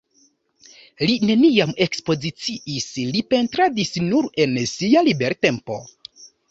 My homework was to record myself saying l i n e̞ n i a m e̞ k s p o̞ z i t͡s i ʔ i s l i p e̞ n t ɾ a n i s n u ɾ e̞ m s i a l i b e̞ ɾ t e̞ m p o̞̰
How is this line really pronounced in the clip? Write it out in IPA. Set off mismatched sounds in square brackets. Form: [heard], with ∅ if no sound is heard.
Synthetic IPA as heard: l i n e̞ n i a m e̞ k s p o̞ z i t͡s i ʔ i s l i p e̞ n t ɾ a [d] i s n u ɾ e̞ [n] s i a l i b e̞ ɾ t e̞ m p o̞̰